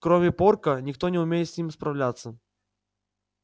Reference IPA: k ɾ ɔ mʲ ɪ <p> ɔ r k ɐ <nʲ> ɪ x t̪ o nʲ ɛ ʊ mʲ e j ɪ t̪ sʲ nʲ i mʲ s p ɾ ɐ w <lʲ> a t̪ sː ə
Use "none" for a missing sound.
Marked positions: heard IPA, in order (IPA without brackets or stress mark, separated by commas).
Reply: p, nʲ, lʲ